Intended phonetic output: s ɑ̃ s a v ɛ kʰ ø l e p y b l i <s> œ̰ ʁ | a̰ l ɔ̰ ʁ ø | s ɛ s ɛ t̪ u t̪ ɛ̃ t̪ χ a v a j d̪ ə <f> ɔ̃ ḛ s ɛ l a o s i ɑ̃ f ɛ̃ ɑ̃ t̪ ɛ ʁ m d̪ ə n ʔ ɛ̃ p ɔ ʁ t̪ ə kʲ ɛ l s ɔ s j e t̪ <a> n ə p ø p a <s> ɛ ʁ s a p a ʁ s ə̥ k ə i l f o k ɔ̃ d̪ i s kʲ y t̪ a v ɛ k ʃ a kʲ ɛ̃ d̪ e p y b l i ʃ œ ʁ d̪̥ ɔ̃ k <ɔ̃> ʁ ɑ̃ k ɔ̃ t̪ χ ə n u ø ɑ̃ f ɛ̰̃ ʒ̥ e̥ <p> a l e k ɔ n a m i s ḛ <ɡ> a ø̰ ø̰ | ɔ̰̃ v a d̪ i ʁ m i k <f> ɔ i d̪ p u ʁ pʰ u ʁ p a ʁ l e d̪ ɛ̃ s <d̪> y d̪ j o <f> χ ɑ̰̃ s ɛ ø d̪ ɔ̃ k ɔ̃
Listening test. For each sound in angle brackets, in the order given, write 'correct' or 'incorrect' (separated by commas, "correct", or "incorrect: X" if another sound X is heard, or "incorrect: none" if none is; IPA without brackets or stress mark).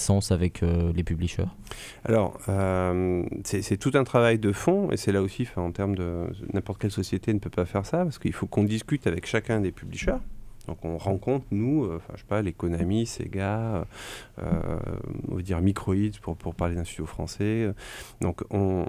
incorrect: ʃ, correct, incorrect: e, incorrect: f, correct, correct, correct, incorrect: χ, incorrect: t̪, correct